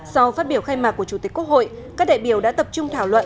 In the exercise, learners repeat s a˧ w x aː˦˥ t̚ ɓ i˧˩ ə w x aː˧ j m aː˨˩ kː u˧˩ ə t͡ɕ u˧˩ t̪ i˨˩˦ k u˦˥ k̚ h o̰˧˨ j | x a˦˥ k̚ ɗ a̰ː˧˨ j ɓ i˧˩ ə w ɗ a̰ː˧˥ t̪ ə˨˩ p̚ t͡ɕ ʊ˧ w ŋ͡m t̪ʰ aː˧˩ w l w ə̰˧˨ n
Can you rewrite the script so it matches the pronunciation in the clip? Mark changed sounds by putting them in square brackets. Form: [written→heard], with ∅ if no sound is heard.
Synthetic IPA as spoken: s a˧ w [x→f] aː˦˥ t̚ ɓ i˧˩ ə w x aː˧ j m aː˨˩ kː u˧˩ ə t͡ɕ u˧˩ t̪ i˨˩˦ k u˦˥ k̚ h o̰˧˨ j | [x→k] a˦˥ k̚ ɗ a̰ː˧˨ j ɓ i˧˩ ə w ɗ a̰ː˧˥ t̪ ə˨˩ p̚ t͡ɕ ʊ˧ [w→∅] ŋ͡m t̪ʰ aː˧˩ w l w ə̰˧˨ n